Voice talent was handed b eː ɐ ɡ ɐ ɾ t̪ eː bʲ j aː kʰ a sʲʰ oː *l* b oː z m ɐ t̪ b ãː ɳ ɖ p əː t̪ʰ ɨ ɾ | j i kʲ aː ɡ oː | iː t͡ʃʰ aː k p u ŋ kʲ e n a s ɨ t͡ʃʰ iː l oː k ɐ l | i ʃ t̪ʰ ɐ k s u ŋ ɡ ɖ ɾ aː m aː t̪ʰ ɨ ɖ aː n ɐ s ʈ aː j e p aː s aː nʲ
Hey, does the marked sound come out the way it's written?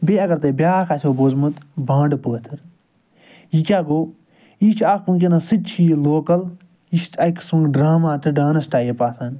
no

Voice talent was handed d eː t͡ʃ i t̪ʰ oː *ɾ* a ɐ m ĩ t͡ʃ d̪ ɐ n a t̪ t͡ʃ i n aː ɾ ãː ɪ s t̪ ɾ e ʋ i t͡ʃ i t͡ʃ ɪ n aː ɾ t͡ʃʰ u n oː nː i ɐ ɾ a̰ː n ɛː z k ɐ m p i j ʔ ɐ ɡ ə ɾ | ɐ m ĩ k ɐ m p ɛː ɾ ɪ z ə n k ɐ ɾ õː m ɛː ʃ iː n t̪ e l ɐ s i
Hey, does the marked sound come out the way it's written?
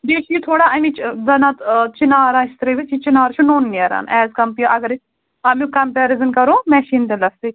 no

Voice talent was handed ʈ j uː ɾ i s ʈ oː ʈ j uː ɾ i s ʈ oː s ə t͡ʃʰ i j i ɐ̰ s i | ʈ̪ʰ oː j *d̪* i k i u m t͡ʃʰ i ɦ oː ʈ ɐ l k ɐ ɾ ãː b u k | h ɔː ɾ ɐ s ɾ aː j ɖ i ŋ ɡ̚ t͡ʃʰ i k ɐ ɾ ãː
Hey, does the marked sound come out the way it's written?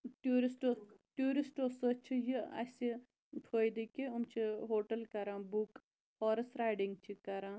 yes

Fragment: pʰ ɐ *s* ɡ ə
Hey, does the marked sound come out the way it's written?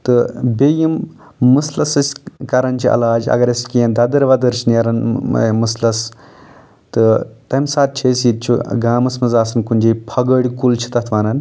no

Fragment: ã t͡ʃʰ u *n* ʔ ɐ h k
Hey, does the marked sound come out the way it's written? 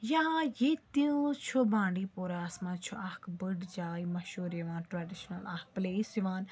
no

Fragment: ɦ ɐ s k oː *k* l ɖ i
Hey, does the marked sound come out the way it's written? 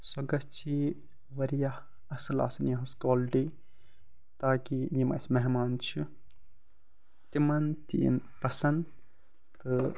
no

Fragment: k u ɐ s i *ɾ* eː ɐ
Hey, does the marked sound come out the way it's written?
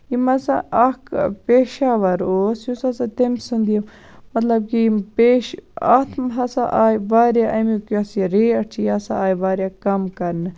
yes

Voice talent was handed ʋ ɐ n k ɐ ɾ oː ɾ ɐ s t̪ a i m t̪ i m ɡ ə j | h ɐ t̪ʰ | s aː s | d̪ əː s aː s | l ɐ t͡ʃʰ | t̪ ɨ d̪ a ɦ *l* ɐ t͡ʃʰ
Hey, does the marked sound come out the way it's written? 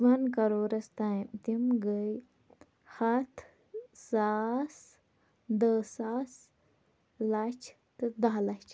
yes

